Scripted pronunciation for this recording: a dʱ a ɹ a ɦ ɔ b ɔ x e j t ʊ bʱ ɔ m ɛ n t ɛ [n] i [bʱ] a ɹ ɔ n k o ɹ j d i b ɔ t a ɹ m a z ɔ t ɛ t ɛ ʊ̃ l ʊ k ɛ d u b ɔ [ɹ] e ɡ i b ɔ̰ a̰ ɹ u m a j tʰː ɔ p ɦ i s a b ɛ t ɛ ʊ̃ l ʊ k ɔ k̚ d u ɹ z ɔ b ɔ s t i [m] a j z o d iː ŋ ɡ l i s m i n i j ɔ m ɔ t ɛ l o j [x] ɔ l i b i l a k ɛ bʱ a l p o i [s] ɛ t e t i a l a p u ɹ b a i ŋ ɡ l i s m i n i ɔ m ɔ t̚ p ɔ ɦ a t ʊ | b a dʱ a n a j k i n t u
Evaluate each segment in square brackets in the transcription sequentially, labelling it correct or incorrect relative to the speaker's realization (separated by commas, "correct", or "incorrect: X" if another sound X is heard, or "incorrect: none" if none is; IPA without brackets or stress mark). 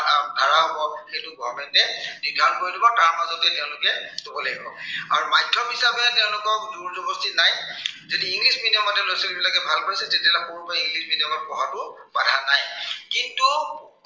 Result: correct, incorrect: dʱ, incorrect: l, incorrect: n, incorrect: s, correct